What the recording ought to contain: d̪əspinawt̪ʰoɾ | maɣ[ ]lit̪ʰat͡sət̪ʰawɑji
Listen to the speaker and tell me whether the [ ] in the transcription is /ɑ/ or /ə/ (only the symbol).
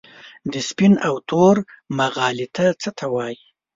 ɑ